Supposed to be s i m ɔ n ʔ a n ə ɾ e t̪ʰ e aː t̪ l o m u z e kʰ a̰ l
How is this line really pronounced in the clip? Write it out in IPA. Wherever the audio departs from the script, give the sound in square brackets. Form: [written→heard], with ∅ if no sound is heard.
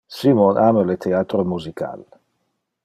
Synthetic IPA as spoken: s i m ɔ n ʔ a [n→m] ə [ɾ→l] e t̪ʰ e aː t̪ [l→ɾ] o m u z [e→i] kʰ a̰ l